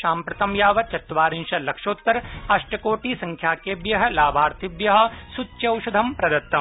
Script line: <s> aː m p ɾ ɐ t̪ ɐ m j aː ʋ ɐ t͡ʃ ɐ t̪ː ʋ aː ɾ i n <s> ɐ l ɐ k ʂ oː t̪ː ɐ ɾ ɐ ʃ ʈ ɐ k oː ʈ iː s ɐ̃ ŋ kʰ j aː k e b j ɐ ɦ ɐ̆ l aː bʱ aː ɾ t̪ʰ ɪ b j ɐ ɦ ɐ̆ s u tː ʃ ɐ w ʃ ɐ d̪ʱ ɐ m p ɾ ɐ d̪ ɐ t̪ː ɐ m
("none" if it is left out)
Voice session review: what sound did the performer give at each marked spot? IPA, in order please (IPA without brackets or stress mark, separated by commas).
ʃ, ʃ